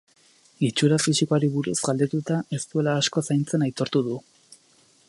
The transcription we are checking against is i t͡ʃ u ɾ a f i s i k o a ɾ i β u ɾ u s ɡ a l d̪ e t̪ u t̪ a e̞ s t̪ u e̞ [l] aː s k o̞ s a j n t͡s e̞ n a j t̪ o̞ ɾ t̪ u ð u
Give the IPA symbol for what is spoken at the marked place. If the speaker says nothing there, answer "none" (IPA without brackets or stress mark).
l